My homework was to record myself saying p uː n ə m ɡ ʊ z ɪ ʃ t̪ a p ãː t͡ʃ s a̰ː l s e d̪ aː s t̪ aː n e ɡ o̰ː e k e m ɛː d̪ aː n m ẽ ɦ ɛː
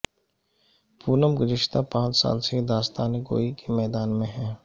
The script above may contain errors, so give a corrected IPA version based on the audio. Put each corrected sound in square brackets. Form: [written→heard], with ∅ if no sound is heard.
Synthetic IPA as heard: p uː n ə m ɡ ʊ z ɪ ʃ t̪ a p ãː t͡ʃ s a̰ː l s e d̪ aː s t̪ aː n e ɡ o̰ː [e→i] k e m ɛː d̪ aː n m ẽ ɦ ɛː